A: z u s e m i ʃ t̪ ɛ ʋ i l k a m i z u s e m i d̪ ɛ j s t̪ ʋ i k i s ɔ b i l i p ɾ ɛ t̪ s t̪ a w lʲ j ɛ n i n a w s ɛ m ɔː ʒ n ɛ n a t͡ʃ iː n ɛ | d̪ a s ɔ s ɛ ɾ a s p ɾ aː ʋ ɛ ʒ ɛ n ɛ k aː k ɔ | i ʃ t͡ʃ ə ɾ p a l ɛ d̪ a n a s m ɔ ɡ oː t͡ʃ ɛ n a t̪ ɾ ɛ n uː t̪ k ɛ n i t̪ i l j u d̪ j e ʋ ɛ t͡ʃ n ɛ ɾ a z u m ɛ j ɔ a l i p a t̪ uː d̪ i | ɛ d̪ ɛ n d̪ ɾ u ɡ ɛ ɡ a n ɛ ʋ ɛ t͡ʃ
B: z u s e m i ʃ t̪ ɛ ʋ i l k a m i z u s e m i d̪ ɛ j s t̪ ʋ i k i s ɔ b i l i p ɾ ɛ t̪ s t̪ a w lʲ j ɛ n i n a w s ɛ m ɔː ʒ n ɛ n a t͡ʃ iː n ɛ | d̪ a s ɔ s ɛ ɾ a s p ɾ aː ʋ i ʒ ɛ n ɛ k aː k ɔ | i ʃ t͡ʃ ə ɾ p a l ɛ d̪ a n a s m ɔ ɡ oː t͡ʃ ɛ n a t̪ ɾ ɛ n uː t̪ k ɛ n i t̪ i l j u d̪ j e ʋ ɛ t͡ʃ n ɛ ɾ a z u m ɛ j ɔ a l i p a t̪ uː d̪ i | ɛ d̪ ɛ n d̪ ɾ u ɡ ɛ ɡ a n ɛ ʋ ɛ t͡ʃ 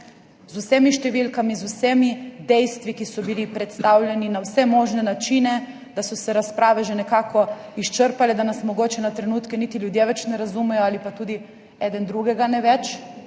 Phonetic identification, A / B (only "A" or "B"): A